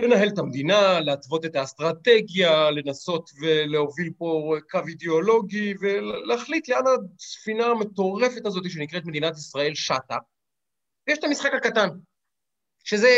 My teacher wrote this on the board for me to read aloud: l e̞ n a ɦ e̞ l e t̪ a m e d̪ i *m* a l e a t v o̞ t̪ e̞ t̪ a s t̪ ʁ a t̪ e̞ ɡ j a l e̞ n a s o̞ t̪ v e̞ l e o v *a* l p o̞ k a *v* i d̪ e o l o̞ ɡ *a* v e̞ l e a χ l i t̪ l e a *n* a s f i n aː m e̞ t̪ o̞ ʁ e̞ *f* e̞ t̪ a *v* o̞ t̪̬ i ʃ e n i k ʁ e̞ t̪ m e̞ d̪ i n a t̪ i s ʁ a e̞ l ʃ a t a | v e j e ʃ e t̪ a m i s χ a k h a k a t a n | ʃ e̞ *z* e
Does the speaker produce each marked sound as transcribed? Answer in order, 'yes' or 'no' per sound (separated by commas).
no, no, yes, no, yes, yes, no, yes